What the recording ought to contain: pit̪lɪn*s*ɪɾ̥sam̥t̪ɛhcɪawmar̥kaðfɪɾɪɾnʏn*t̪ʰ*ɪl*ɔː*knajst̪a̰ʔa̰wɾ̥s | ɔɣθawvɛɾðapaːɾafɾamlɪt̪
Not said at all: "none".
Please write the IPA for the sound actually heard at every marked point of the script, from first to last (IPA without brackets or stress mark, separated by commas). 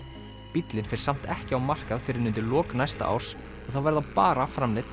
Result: f, t̪, ɔː